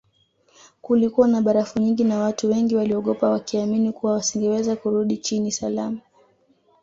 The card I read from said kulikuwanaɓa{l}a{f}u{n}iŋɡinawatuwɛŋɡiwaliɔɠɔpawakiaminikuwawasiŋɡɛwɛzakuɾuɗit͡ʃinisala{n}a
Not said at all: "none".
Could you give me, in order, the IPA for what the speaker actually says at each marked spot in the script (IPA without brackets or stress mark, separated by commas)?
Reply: ɾ, f, ɲ, m